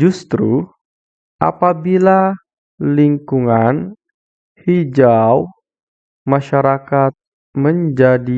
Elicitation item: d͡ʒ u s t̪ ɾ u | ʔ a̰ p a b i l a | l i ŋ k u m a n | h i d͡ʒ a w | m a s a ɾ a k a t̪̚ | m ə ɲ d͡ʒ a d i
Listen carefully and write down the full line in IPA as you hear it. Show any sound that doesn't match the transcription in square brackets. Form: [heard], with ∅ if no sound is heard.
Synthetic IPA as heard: d͡ʒ u s t̪ ɾ u | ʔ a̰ p a b i l a | l i ŋ k u [ŋ] a n | h i d͡ʒ a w | m a [ʃ] a ɾ a k a t̪̚ | m ə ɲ d͡ʒ a d i